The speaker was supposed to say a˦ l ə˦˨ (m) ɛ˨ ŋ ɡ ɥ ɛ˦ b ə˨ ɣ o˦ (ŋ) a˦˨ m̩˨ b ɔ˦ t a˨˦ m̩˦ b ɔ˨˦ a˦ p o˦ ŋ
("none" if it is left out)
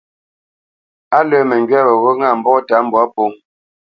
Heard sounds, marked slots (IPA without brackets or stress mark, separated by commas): m, ŋ